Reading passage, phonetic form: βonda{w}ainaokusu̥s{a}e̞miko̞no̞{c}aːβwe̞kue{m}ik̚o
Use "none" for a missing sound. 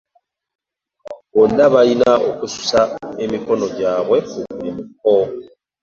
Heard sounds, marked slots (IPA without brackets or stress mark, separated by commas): β, a, ɟ, m